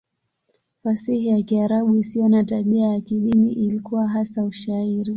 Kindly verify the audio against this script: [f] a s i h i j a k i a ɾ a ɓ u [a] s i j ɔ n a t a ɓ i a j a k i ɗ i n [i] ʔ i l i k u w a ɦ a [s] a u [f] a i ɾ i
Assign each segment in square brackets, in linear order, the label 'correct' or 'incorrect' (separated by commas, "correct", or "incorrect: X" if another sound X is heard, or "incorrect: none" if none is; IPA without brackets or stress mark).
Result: correct, incorrect: i, correct, correct, incorrect: ʃ